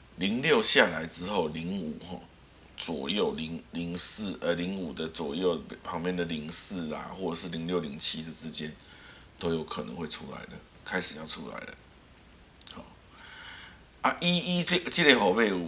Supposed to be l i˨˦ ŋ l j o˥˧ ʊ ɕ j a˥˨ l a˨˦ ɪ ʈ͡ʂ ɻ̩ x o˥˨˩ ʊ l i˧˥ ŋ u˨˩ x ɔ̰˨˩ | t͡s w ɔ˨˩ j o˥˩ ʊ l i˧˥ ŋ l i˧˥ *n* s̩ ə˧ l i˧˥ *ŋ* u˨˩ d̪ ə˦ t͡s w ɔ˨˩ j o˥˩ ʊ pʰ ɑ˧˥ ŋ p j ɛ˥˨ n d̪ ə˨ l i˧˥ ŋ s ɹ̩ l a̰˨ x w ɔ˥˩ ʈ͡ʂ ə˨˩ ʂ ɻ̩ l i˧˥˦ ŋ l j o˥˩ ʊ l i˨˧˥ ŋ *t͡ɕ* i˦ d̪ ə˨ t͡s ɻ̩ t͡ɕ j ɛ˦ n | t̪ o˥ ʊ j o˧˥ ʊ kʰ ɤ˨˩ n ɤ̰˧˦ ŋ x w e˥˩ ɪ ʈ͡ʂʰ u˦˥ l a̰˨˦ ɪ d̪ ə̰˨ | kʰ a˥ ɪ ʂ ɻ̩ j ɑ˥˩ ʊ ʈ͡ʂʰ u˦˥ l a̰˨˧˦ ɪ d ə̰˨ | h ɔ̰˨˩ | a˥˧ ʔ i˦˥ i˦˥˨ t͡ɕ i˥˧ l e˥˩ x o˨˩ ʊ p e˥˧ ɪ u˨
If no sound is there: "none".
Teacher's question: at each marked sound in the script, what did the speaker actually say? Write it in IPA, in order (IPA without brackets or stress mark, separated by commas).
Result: ŋ, ŋ, t͡ɕʰ